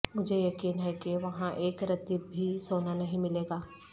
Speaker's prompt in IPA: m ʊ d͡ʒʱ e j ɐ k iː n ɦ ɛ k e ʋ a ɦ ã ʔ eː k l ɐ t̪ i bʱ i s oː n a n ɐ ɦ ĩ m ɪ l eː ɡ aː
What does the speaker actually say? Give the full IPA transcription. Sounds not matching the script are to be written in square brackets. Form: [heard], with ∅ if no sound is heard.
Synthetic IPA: m ʊ d͡ʒʱ e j ɐ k iː n ɦ ɛ k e ʋ [ɐ] ɦ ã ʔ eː k [ɾ] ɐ t̪ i bʱ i s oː n a n ɐ ɦ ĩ m ɪ l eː ɡ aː